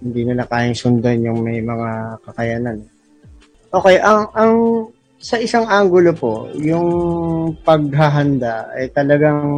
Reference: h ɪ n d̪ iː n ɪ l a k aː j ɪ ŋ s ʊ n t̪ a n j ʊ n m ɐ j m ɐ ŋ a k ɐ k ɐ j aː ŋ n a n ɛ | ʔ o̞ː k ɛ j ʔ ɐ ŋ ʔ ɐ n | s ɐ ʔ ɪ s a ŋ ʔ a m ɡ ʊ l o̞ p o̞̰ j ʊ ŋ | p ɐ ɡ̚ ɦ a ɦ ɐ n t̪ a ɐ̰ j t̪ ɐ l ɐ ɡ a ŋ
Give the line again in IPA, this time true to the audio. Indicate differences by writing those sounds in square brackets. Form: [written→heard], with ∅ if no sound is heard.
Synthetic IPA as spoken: h ɪ n d̪ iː n ɪ l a k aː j ɪ ŋ s ʊ n [t̪→d̪] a n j ʊ [n→ŋ] m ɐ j m ɐ ŋ a k ɐ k ɐ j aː [ŋ→∅] n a n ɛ | ʔ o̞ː k ɛ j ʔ ɐ ŋ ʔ ɐ [n→ŋ] | s ɐ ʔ ɪ s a ŋ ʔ a [m→ŋ] ɡ ʊ l o̞ p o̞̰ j ʊ ŋ | p ɐ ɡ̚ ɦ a ɦ ɐ n [t̪→d̪] a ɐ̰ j t̪ ɐ l ɐ ɡ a ŋ